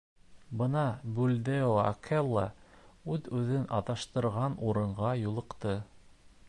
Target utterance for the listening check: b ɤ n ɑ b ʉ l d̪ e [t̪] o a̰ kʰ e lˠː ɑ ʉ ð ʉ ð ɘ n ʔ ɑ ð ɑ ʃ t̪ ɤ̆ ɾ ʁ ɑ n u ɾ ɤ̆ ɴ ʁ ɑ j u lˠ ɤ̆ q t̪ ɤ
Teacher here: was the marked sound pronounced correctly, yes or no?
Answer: no